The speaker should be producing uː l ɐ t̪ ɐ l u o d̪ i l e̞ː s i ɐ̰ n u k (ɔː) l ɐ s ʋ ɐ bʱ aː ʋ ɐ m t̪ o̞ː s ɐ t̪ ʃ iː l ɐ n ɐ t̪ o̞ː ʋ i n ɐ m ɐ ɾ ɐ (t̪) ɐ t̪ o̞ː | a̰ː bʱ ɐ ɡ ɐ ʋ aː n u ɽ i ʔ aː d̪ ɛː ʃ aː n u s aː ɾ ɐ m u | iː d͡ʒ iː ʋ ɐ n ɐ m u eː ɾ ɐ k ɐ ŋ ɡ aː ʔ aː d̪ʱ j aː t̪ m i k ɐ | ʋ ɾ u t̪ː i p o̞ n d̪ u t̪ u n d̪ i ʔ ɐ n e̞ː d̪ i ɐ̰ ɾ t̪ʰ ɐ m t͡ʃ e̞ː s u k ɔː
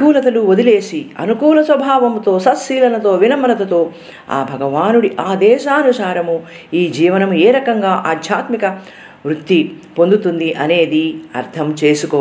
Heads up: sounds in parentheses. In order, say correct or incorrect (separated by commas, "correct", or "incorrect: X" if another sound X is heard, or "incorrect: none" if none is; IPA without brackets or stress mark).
incorrect: uː, correct